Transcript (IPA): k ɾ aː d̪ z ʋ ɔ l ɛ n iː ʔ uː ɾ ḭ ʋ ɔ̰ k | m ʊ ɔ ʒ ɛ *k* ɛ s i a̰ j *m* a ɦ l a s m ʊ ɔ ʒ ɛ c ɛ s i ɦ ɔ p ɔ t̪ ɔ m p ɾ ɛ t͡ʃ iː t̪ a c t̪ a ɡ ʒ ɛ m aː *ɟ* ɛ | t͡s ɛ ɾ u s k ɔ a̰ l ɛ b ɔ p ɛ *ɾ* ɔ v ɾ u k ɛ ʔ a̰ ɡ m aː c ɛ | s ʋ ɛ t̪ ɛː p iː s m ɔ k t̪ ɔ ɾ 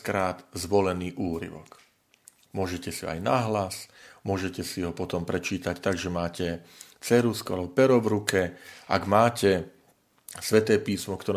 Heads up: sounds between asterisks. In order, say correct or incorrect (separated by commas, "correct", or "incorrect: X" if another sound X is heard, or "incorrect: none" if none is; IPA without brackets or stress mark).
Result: incorrect: c, incorrect: n, incorrect: c, correct